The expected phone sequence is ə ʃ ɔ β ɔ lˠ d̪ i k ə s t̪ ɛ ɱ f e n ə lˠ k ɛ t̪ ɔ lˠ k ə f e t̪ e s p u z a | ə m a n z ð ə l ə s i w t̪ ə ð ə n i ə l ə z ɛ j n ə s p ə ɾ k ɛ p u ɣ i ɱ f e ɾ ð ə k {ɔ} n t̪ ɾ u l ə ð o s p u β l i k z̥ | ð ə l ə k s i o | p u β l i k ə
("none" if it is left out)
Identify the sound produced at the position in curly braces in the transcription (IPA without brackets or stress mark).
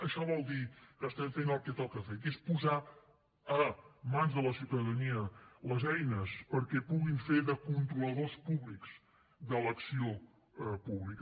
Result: u